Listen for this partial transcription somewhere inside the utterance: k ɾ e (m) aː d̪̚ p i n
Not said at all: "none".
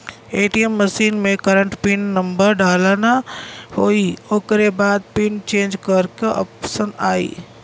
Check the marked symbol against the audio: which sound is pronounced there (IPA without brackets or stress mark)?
b